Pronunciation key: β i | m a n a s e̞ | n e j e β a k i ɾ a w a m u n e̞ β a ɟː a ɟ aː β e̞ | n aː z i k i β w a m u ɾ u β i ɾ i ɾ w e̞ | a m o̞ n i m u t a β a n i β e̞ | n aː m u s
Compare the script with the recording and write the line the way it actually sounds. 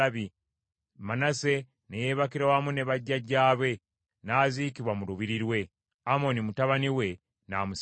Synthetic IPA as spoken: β i | m a n a s e̞ | n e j e β a k i ɾ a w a m u n e̞ β a ɟː a ɟ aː β e̞ | n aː z i k i β w a m u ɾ u β i ɾ i ɾ w e̞ | a m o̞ n i m u t a β a n i w e̞ | n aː m u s

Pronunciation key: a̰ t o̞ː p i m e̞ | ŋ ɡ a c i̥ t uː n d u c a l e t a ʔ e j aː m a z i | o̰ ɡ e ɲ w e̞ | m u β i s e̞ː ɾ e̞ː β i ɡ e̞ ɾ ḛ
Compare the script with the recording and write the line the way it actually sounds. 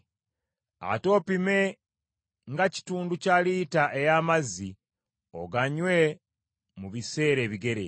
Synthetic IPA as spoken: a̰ t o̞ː p i m e̞ | ŋ ɡ a c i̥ t uː n d u c a l i t a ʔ e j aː m a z i | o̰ ɡ a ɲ w e̞ | m u β i s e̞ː ɾ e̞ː β i ɡ e̞ ɾ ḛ

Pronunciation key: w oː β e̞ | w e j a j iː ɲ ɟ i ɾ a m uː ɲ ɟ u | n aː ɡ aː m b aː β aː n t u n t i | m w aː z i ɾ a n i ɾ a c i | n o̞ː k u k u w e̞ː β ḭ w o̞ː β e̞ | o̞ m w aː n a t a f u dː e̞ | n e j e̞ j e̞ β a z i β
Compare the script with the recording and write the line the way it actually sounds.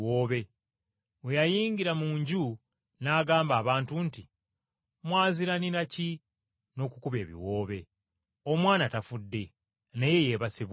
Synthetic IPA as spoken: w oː β e̞ | w e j a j iː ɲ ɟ i ɾ a m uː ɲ ɟ u | n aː ɡ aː m b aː β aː n t u n t i | m w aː z i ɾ a n i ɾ a c i | n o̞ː k u k u β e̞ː β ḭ w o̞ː β e̞ | o̞ m w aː n a t a f u dː e̞ | n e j e̞ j e̞ β a s i β

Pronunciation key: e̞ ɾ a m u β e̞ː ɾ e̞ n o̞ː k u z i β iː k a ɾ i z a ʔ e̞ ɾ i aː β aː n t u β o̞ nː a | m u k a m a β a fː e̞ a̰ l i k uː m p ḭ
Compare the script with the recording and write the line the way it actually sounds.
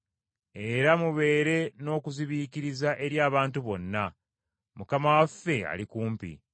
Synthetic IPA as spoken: e̞ ɾ a m u β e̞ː ɾ e̞ n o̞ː k u z i β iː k i ɾ i z a ʔ e̞ ɾ j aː β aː n t u β o̞ nː a | m u k a m a w a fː e̞ a̰ l i k uː m p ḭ

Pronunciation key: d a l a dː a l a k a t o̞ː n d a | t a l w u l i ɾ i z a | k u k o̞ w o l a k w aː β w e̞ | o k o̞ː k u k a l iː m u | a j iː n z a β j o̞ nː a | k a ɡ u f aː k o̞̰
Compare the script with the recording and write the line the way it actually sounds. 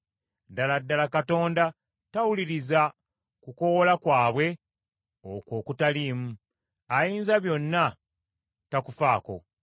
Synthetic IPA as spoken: d a l a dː a l a k a t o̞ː n d a | t a w u l i ɾ i z a | k u k o̞ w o l a k w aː β w e̞ | o k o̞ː k u t a l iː m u | a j iː n z a β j o̞ nː a | t a k u f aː k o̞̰

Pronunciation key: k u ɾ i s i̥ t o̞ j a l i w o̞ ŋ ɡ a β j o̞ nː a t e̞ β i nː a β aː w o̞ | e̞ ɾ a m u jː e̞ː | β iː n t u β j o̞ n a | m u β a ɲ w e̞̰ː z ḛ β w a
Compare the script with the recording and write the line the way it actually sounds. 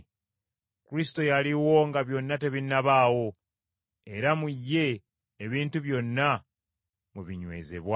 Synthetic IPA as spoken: k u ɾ i s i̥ t o̞ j a l i w o̞ ŋ ɡ a β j o̞ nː a t e̞ β i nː a β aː w o̞ | e̞ ɾ a m u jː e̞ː | β iː n t u β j o̞ nː a | m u β i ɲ w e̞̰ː z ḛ β w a

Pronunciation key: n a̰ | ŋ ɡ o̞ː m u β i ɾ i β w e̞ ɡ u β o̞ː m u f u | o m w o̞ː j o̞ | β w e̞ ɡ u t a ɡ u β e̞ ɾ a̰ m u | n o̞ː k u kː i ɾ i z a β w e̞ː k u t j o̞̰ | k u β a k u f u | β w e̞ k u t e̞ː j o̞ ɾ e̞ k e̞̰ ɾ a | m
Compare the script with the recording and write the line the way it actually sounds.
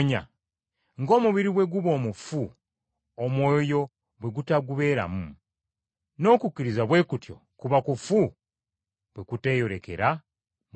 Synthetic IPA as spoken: ɲ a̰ | ŋ ɡ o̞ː m u β i ɾ i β w e̞ ɡ u β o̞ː m u f u | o m w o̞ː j o̞ | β w e̞ ɡ u t a ɡ u β e̞ ɾ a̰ m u | n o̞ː k u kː i ɾ i z a β w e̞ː k u t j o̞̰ | k u β a k u f u | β w e̞ k u t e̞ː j o̞ ɾ e̞ k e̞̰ ɾ a | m

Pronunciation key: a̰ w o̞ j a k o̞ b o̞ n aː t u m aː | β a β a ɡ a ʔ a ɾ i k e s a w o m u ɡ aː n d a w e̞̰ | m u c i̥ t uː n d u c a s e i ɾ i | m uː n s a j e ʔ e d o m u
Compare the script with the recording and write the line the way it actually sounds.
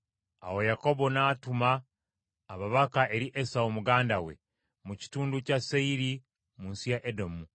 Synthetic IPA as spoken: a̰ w o̞ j a k o̞ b o̞ n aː t u m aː | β a β a k a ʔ e ɾ i ʔ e s a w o m u ɡ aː n d a w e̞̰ | m u c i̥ t uː n d u c a s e i ɾ i | m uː n s i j a ʔ e d o m u

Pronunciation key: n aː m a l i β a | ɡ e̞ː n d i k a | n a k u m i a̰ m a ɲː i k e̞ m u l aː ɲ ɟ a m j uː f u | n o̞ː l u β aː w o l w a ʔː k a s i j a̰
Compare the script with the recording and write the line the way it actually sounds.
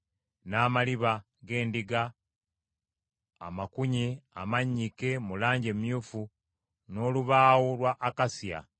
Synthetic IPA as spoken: n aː m a l i β a | ɡ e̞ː n d i ɡ a | m a k u ɲ i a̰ m a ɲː i k e̞ m u l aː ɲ ɟ e m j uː f u | n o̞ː l u β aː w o l w a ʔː k a s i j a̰

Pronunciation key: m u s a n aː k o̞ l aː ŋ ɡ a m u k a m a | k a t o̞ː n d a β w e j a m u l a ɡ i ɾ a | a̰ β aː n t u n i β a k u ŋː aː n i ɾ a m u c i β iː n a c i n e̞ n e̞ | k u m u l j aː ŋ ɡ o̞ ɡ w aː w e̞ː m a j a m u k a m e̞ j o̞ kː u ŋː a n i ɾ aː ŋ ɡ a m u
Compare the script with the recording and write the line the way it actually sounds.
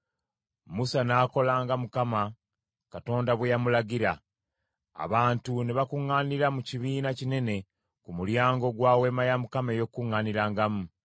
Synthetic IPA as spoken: m u s a n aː k o̞ l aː ŋ ɡ a m u k a m a | k a t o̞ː n d a β w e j a m u l a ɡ i ɾ a | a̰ β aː n t u n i β a k u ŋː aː n i ɾ a m u c i β iː n a c i n e̞ n e̞ | k u m u l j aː ŋ ɡ o̞ ɡ w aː w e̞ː m a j a m u k a m e̞ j o̞ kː u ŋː a n i ɾ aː ŋ ɡ a m u

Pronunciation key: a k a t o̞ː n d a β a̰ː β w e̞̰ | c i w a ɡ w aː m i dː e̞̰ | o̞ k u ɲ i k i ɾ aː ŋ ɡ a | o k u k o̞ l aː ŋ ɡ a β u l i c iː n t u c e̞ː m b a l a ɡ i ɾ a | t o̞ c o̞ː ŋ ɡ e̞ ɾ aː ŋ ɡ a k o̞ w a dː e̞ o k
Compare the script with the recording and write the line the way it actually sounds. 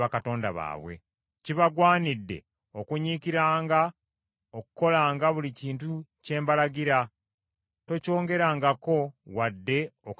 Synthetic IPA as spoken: a k a t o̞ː n d a β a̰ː β w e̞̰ | c i β a ɡ w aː n i dː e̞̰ | o̞ k u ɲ i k i ɾ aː ŋ ɡ a | o k u k o̞ l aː ŋ ɡ a β u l i c iː n t u c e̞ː m b a l a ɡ i ɾ a | t o̞ c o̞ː ŋ ɡ e̞ ɾ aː ŋ ɡ a k o̞ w a dː e̞ o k

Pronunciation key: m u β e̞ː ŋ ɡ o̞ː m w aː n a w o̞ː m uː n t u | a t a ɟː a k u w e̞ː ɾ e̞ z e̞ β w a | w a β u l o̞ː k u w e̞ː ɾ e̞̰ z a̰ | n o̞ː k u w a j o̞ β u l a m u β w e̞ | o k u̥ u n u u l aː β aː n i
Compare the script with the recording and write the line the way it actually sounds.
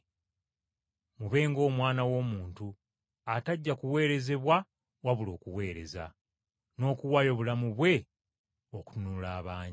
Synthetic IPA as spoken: m u β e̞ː ŋ ɡ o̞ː m w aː n a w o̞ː m uː n t u | a t a ɟː a k u w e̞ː ɾ e̞ z e̞ β w a | w a β u l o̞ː k u w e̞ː ɾ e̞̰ z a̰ | n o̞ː k u w a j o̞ β u l a m u β w e̞ | o k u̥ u n u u l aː β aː ɲ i

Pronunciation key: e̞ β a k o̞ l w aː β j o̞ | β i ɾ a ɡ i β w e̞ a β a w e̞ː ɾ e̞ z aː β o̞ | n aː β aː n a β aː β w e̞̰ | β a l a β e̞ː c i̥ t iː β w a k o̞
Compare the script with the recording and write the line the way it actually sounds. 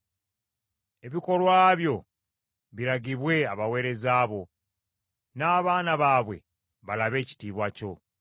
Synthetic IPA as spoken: e̞ β i k o̞ l w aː β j o̞ | β i ɾ a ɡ i β w e̞ a β a w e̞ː ɾ e̞ z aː β o̞ | n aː β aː n a β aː β w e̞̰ | β a l a β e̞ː c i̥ t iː β w a c o̞

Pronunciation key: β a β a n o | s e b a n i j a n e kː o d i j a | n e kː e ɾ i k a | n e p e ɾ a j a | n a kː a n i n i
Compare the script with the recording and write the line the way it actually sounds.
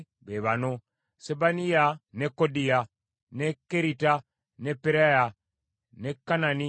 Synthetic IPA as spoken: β e β a n o | s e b a n i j a n e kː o d i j a | n e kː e ɾ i t a | n e p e ɾ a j a | n e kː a n a n i

